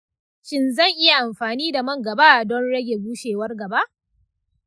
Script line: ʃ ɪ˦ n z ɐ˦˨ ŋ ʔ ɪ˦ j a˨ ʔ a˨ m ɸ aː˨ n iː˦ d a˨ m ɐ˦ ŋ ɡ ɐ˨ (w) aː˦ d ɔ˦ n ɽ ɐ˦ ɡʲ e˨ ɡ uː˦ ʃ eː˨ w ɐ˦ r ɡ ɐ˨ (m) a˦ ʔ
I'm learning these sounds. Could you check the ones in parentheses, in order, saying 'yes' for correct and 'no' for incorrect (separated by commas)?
no, no